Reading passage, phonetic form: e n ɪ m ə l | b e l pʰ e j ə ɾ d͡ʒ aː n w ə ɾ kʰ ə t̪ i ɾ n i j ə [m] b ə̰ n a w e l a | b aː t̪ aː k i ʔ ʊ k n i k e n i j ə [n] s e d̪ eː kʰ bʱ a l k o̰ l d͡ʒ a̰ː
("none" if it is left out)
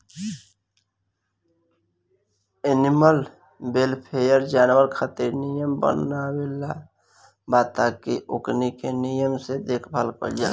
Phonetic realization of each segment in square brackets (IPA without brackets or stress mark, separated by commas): m, m